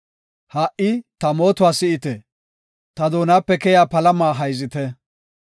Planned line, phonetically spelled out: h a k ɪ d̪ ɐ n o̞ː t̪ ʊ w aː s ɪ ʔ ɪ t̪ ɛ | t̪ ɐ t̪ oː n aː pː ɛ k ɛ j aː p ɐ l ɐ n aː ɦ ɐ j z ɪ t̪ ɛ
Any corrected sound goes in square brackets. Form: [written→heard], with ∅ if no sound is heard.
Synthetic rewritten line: h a [k→ʔ] ɪ [d̪→t̪] ɐ [n→m] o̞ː t̪ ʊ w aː s ɪ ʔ ɪ t̪ ɛ | t̪ ɐ [t̪→d̪] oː n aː pː ɛ k ɛ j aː p ɐ l ɐ [n→m] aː ɦ ɐ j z ɪ t̪ ɛ